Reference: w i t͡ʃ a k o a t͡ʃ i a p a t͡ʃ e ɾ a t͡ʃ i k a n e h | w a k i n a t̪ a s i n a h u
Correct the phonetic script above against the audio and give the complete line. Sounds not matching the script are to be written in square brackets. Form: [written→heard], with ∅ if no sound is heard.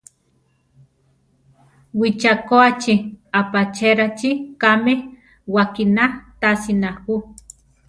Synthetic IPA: w i t͡ʃ a k o a t͡ʃ i a p a t͡ʃ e ɾ a t͡ʃ i k a [n→m] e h | w a k i n a t̪ a s i n a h u